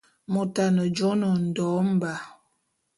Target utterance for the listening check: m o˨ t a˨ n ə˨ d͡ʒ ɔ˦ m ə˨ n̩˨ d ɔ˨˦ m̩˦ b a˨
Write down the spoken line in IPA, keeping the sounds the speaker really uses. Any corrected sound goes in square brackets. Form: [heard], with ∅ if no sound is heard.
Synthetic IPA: m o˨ t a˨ n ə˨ d͡ʒ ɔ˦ [n] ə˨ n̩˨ d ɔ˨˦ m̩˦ b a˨